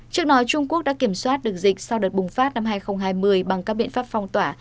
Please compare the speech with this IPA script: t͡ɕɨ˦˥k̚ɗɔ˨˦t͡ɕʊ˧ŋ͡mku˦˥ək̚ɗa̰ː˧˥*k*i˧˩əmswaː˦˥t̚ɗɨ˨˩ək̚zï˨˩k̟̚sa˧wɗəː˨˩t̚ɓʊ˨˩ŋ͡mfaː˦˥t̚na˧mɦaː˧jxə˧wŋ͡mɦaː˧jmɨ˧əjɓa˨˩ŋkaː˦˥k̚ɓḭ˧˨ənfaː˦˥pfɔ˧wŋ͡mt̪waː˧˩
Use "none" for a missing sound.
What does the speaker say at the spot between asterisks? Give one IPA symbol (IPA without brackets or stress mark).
k